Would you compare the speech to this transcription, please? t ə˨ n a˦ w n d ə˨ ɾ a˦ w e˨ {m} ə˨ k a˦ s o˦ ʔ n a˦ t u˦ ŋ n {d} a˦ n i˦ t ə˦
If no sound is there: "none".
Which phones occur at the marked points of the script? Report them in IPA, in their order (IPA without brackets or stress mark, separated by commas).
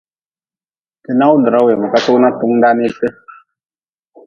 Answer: m, d